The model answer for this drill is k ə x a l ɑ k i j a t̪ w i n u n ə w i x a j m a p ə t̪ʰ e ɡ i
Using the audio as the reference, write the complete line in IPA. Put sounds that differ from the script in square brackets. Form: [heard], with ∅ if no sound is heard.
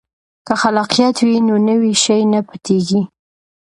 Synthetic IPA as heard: k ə x a l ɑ [q] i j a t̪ w i n [o] n ə w i [ʃ] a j [n] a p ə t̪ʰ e ɡ i